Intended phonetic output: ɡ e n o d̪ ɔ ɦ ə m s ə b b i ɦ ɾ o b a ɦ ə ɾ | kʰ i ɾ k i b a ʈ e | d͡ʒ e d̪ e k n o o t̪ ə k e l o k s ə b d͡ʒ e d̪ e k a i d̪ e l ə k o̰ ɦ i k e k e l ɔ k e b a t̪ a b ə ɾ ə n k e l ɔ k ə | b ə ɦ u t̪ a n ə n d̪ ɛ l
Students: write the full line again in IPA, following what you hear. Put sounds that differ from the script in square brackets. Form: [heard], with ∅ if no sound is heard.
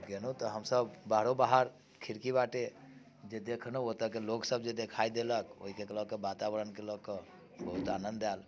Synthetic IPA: ɡ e n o [t̪] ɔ ɦ ə m s ə b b [a] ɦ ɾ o b a ɦ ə ɾ | kʰ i ɾ k i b a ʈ e | d͡ʒ e d̪ e [kʰ] n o o t̪ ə k e l o k s ə b d͡ʒ e d̪ e [kʰ] a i d̪ e l ə k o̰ ɦ i k e k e l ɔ k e b a t̪ a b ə ɾ ə n k e l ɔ k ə | b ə ɦ u t̪ a n ə n d̪ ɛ l